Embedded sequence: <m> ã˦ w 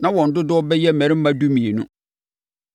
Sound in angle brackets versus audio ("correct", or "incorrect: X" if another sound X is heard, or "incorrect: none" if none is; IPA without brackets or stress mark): incorrect: n